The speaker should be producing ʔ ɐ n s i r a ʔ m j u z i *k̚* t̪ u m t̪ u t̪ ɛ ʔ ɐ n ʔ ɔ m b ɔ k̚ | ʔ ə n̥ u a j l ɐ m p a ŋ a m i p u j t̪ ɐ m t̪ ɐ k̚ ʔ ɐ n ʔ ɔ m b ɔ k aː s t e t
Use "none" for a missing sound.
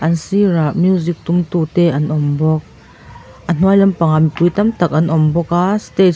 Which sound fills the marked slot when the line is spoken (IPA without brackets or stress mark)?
k̚